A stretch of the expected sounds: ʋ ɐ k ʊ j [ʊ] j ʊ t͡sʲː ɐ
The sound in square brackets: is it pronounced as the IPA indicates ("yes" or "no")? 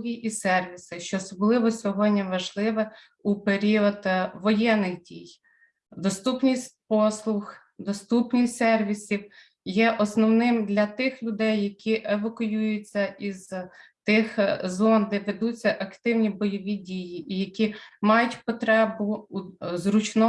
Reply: no